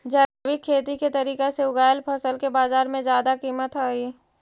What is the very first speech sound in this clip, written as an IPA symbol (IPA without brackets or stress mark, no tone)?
d͡ʒ